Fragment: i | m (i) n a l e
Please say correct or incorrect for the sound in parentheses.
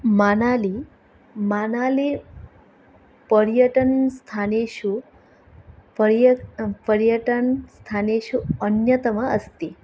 incorrect